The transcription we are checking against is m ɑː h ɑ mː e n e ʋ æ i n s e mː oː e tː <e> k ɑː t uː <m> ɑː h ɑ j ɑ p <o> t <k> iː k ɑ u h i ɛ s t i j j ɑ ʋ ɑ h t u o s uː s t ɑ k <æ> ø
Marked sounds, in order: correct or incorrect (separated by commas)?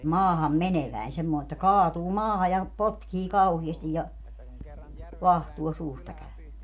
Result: incorrect, correct, correct, correct, correct